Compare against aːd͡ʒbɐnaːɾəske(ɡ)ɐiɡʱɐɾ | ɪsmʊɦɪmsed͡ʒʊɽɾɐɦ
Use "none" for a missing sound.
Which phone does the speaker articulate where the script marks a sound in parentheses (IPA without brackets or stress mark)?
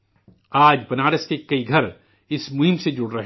k